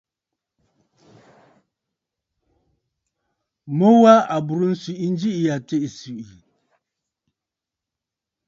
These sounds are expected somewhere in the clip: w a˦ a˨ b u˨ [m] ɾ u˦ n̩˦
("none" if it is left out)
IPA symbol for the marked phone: none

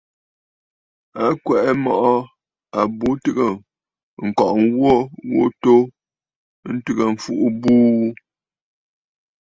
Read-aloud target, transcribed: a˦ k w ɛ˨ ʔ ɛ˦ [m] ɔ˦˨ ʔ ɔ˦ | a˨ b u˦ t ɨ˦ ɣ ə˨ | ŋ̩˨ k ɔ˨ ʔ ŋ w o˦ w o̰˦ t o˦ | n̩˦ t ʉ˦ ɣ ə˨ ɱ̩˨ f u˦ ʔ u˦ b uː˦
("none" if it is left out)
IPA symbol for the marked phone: m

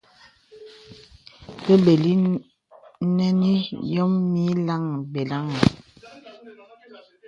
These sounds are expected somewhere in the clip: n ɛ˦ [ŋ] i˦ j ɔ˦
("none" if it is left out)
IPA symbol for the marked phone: n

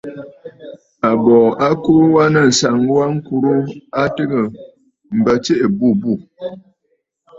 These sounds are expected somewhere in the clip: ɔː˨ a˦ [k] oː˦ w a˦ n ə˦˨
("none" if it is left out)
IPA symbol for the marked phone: k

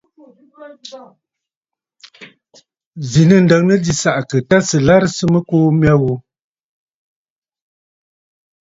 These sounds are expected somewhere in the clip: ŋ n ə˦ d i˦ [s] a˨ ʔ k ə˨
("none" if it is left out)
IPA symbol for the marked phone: s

